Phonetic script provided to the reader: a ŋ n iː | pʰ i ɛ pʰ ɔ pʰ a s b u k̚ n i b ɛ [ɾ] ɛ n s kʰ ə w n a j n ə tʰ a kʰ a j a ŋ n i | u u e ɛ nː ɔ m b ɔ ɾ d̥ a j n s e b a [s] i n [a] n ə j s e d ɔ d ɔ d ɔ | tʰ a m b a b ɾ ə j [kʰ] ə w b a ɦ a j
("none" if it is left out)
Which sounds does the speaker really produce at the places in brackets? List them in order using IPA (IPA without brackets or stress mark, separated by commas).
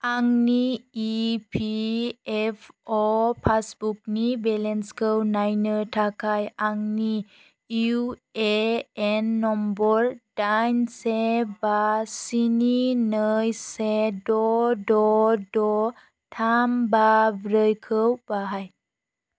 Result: l, s, i, kʰ